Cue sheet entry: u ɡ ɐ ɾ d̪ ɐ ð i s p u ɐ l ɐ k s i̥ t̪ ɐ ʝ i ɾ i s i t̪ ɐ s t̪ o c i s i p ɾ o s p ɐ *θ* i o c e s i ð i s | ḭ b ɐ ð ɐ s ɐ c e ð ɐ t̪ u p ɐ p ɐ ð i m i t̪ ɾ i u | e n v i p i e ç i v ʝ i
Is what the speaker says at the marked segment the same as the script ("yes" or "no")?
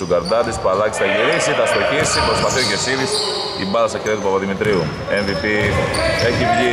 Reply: yes